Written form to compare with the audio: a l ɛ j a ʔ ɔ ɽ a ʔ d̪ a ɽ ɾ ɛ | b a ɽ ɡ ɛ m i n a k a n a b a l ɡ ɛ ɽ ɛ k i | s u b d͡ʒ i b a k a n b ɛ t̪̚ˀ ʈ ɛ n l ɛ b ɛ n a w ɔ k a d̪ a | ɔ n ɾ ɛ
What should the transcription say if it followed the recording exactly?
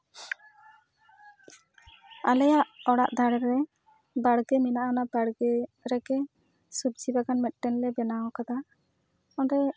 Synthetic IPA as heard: a l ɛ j a ʔ ɔ ɽ a ʔ d̪ a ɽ ɾ ɛ | b a ɽ ɡ ɛ m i n a ʔ a n a b a ɽ ɡ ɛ ɾ ɛ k ɛ | s u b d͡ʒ i b a k a n m ɛ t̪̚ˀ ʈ ɛ n l ɛ b ɛ n a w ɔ k a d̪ a | ɔ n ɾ ɛ

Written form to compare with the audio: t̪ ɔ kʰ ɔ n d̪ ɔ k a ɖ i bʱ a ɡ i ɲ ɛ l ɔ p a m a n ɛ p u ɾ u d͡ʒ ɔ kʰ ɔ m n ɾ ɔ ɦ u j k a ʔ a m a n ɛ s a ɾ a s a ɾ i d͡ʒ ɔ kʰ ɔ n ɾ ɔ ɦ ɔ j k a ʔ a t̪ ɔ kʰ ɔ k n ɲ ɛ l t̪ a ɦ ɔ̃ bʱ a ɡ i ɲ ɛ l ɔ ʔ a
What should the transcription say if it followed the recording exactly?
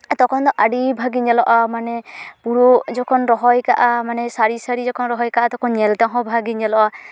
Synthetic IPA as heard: t̪ ɔ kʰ ɔ n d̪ ɔ ʔ a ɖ i bʱ a ɡ i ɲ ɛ l ɔ ʔ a m a n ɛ p u ɾ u d͡ʒ ɔ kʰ ɔ n ɾ ɔ ɦ ɔ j k a ʔ a m a n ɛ s a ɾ i s a ɾ i d͡ʒ ɔ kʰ ɔ n ɾ ɔ ɦ ɔ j k a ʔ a t̪ ɔ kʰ ɔ n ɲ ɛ l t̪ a ɦ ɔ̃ bʱ a ɡ i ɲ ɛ l ɔ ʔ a

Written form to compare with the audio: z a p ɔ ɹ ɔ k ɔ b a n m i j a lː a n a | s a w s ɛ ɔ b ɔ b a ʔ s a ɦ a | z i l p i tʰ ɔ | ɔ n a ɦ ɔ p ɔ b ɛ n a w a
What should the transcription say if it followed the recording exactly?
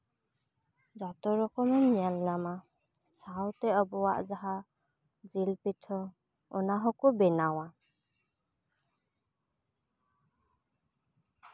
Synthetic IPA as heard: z a t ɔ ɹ ɔ k ɔ m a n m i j a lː a m a | s a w t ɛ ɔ b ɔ w a ʔ z a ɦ a | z i l p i tʰ ɔ | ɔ n a ɦ ɔ k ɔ b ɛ n a w a

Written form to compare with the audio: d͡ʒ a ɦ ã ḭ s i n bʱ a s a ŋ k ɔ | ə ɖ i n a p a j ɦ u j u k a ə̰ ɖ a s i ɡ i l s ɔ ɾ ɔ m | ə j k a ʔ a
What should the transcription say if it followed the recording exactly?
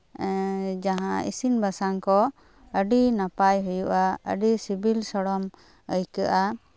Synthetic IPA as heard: d͡ʒ a ɦ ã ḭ s i n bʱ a s a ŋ k ɔ | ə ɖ i n a p a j ɦ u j u ʔ a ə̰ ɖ i s i b i l s ɔ ɽ ɔ m | ə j k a ʔ a

